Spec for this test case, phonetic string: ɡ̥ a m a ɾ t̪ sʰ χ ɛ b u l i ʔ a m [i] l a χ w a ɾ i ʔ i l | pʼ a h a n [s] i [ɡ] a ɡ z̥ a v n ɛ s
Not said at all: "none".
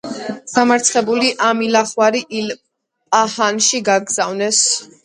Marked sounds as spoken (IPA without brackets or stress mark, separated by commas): i, ʃ, ɡ